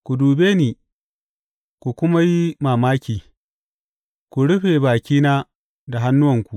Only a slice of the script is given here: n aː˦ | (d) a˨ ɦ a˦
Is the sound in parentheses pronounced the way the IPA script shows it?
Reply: yes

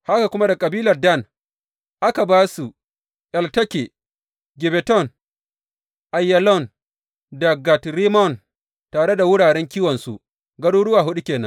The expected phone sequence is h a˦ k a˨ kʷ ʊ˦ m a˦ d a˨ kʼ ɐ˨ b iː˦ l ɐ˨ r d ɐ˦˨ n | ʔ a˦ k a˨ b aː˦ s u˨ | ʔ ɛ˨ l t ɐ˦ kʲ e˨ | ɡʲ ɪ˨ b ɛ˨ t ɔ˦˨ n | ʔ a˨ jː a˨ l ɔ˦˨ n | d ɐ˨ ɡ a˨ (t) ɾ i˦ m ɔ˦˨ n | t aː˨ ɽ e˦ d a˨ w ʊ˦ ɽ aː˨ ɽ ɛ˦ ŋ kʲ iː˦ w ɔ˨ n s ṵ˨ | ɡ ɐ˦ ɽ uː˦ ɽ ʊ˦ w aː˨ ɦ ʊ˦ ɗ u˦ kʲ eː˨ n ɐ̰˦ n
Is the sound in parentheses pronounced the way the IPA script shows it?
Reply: yes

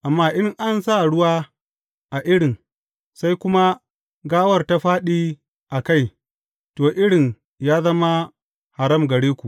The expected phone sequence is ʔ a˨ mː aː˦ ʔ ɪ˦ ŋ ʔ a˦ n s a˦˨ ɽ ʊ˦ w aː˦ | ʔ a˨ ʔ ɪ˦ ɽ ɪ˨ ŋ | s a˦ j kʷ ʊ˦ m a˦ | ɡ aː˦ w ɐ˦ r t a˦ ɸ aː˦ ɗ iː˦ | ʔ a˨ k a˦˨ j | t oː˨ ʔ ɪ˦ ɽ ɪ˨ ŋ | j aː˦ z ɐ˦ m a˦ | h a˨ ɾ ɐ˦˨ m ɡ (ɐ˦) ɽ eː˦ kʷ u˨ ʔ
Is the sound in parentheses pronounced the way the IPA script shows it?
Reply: no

